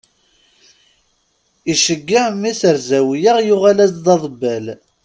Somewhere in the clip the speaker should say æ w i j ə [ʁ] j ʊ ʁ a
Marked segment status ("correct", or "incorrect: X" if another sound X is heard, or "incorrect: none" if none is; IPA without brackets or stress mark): correct